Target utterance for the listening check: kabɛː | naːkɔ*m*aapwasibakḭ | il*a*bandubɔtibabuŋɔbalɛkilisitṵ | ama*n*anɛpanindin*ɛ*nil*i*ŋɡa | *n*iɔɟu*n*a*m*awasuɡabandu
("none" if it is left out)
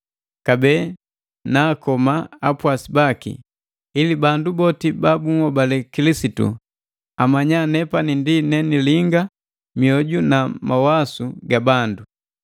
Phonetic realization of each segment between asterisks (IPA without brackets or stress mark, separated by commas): m, i, ɲ, ɛ, i, m, n, m